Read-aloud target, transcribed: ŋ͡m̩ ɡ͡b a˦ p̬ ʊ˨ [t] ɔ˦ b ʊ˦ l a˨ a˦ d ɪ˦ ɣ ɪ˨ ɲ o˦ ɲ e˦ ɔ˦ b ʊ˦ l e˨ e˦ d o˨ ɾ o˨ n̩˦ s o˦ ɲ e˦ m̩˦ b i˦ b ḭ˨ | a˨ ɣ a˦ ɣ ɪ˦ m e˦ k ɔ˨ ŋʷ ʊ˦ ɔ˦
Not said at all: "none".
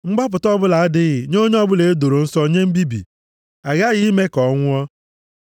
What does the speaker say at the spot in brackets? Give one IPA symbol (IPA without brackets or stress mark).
t